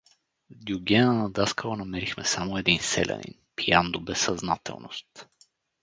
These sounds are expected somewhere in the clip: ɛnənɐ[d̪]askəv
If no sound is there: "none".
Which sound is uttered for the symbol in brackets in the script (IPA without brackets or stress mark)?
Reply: d̪